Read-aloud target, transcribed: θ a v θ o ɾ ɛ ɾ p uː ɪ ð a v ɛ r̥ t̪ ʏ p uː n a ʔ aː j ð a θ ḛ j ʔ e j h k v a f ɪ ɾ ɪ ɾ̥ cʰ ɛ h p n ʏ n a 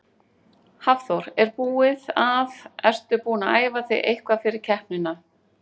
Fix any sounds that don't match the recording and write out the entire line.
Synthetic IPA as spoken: h a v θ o ɾ ɛ ɾ p uː ɪ ð a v ɛ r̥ t̪ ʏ p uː n a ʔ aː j v a θ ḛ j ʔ e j h k v a f ɪ ɾ ɪ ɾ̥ cʰ ɛ h p n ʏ n a

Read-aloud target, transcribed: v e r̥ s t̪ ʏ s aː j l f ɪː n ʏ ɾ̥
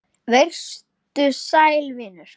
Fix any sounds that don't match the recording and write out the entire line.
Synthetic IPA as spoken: v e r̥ s t̪ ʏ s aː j l v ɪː n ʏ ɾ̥

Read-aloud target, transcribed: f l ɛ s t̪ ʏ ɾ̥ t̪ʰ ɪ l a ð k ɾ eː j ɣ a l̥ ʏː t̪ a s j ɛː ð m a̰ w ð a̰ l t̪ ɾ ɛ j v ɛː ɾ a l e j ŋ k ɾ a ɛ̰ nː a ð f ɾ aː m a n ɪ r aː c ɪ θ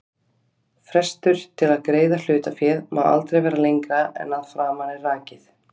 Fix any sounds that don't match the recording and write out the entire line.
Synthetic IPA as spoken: f ɾ ɛ s t̪ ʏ ɾ̥ t̪ʰ ɪ l a ð k ɾ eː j ð a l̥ ʏː t̪ a f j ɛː ð m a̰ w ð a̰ l t̪ ɾ e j v ɛː ɾ a l e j ŋ k ɾ a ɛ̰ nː a ð f ɾ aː m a n ɪ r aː c ɪ θ

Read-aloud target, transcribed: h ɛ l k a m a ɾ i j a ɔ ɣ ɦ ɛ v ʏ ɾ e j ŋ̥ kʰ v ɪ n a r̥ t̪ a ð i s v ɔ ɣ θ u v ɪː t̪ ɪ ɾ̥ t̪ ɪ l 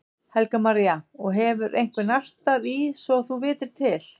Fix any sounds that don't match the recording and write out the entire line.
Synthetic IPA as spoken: h ɛ l k a m a ɾ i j a ɔ ɣ ɦ ɛ v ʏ ɾ e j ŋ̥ k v ɪ n a r̥ t̪ a ð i s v ɔ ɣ θ u v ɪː t̪ ɪ ɾ̥ t̪ʰ ɪ l

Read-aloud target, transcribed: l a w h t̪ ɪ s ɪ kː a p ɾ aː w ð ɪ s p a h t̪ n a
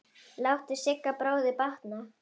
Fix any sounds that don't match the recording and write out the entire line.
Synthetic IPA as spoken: l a w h t̪ ɪ s ɪ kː a p ɾ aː w ð ɪ p a h t̪ n a

